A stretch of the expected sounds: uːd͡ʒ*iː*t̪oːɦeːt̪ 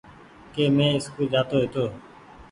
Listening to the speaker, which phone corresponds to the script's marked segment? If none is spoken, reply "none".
aː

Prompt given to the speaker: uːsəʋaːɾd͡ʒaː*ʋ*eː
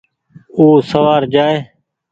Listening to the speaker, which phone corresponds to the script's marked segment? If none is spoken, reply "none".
none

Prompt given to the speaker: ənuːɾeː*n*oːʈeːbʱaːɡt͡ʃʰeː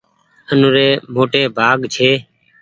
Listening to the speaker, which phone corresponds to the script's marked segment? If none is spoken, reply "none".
m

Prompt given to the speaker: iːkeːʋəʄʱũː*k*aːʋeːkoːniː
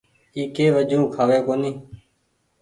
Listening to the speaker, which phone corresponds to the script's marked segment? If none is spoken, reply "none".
kʰ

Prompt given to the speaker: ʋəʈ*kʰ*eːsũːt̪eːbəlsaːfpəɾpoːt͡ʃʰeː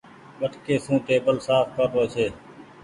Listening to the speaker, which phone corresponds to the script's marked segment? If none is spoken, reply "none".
k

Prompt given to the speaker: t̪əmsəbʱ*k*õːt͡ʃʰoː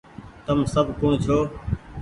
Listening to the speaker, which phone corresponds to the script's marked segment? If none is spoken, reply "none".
k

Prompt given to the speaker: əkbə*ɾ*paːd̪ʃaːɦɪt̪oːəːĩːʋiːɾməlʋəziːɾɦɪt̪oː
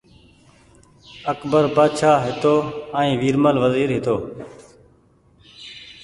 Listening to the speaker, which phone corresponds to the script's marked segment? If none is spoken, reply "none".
ɾ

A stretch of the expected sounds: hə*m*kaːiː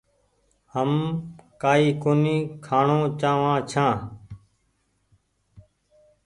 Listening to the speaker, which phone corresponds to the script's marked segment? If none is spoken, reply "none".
m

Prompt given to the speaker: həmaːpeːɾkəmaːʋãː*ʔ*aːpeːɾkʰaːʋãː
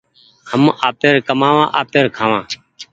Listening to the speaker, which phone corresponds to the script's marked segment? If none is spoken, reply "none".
ʔ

